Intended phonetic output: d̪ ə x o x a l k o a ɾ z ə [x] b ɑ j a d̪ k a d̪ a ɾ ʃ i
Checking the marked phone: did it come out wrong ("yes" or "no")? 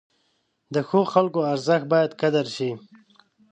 no